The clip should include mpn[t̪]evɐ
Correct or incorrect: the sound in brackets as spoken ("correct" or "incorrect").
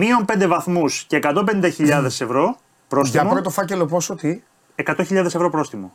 incorrect